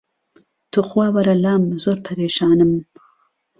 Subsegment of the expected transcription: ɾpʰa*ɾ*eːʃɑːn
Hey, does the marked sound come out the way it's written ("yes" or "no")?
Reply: yes